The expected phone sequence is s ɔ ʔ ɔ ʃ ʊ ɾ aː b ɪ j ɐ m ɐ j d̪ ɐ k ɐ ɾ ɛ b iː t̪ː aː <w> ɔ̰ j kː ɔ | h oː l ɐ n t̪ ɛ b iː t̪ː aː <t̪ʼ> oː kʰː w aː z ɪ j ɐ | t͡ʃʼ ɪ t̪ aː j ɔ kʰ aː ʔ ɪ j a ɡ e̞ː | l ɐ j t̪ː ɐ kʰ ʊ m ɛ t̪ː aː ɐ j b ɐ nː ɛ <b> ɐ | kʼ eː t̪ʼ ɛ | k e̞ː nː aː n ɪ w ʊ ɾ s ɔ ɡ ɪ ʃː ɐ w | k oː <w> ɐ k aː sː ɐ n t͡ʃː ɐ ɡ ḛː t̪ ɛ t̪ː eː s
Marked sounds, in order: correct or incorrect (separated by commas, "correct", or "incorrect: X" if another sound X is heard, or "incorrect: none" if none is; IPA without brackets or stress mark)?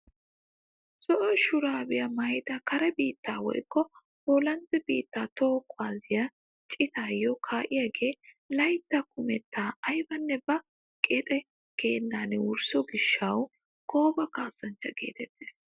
correct, incorrect: t̪, correct, incorrect: b